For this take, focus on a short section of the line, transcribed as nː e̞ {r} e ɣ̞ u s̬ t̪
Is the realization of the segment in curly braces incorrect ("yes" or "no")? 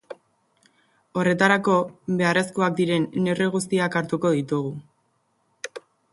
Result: no